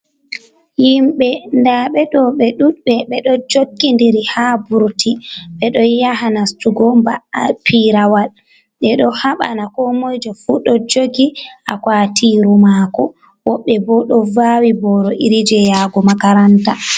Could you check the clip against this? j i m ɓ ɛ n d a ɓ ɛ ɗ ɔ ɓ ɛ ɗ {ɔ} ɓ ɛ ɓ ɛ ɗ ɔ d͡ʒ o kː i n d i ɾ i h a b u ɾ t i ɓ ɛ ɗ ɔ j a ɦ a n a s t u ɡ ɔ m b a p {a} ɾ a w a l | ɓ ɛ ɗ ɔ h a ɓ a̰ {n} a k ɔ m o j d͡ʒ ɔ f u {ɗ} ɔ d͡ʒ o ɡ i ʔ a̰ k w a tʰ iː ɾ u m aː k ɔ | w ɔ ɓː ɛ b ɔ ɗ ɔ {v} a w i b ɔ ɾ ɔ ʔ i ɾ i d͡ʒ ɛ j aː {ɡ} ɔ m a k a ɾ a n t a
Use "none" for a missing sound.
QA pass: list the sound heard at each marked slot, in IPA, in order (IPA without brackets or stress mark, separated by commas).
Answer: u, i, n, ɗ, v, ɡ